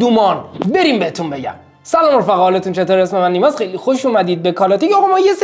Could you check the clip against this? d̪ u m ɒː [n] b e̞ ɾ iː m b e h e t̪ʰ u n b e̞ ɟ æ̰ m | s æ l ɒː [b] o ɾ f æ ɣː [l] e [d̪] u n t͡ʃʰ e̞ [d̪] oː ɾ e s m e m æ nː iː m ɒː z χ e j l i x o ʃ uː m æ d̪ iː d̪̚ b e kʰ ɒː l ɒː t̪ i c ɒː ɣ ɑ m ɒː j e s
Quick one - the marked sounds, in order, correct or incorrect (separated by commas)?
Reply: correct, incorrect, correct, incorrect, incorrect